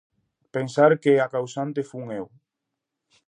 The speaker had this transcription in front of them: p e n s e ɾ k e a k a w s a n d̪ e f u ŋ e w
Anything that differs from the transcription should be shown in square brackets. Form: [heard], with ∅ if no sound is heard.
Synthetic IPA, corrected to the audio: p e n s [a] ɾ k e a k a w s a n [t̪] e f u ŋ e w